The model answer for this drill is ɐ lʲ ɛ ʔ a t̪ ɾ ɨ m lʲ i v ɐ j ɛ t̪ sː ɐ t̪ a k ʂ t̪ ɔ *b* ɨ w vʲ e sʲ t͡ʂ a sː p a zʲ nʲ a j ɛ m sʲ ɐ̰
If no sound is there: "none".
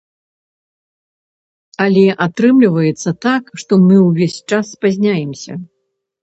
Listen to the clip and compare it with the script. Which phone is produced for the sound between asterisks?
m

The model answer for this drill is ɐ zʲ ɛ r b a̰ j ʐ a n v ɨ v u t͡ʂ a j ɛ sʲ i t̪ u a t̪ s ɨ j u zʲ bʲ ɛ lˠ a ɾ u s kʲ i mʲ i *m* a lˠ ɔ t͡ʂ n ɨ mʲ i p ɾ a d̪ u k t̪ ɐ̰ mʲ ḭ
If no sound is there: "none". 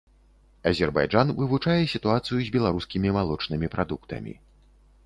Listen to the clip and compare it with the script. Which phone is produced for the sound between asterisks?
m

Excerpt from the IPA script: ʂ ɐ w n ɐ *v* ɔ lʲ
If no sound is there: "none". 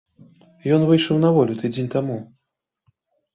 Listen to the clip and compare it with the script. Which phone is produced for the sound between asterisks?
v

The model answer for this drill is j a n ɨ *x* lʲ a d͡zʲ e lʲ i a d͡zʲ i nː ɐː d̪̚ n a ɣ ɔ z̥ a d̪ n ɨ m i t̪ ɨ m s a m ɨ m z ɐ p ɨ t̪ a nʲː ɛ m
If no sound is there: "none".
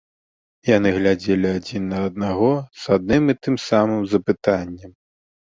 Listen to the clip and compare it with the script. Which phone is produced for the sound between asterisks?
ɣ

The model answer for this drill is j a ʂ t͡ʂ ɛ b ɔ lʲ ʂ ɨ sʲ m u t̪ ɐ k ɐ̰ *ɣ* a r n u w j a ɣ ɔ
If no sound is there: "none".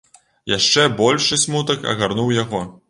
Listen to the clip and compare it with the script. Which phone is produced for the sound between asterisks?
ɣ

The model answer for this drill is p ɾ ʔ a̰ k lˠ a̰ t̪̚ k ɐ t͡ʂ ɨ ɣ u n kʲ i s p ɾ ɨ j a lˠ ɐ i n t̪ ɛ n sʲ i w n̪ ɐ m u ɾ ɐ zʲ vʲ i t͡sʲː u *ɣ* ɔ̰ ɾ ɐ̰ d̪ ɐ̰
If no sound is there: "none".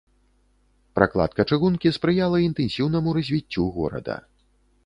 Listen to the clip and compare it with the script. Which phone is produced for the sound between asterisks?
ɣ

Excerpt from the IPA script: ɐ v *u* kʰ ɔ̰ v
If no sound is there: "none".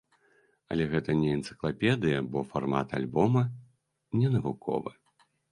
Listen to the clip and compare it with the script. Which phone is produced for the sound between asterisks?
u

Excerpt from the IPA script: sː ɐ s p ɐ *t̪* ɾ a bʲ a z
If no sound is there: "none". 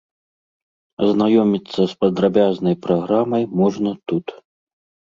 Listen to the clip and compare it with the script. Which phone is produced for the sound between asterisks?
d̪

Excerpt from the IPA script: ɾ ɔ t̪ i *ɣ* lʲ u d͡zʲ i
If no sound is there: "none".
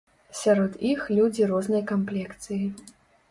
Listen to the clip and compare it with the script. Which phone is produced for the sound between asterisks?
x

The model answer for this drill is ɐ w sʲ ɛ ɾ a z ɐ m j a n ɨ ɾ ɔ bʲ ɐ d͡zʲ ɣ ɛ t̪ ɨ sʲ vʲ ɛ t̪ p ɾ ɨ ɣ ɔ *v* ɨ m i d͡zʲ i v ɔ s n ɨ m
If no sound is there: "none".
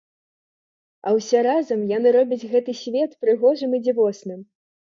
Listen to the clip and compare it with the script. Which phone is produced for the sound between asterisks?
ʐ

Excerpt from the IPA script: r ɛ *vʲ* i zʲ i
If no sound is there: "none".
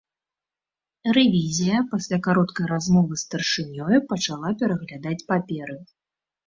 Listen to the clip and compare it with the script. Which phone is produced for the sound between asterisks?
vʲ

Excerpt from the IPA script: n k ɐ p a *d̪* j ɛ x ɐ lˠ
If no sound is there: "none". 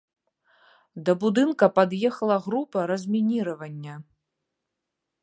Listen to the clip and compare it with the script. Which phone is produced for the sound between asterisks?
d̪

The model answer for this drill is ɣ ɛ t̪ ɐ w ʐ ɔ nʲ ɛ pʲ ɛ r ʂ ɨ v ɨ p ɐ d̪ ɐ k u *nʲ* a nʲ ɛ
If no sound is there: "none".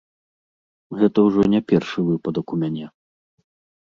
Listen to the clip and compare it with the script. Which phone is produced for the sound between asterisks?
mʲ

